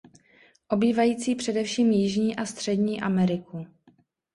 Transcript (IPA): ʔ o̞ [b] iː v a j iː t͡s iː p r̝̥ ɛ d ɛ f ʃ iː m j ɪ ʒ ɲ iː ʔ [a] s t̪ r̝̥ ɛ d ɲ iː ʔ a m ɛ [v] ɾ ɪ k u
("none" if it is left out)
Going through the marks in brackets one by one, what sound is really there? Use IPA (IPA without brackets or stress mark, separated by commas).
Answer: b, a, none